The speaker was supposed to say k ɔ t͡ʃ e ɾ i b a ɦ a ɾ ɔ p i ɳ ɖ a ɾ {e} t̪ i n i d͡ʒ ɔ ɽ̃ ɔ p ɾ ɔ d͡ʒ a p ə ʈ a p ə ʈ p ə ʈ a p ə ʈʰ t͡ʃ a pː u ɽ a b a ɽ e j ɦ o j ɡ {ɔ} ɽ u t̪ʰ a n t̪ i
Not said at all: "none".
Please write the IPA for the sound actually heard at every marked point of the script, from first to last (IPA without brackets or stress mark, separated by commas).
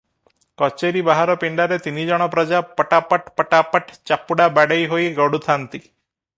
e, ɔ